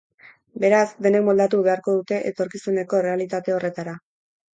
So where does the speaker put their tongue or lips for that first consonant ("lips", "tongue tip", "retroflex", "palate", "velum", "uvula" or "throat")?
lips